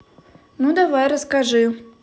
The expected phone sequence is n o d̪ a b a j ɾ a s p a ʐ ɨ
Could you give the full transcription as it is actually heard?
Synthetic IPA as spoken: n u d̪ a v a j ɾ ə s k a ʐ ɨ